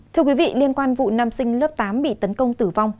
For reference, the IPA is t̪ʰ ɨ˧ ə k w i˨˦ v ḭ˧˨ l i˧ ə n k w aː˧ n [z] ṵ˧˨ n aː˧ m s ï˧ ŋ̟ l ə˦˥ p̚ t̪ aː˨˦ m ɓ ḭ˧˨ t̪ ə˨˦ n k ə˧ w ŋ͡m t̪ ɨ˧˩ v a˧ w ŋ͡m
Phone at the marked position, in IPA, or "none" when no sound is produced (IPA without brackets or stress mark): v